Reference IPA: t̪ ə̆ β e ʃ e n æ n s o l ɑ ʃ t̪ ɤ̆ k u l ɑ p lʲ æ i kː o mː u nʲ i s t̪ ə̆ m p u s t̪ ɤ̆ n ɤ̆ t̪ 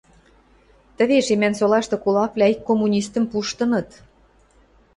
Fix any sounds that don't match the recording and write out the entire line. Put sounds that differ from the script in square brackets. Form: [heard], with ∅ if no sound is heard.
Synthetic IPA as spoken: t̪ ə̆ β e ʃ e [m] æ n s o l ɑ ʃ t̪ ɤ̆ k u l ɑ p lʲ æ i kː o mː u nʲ i s t̪ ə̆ m p u [ʃ] t̪ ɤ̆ n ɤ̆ t̪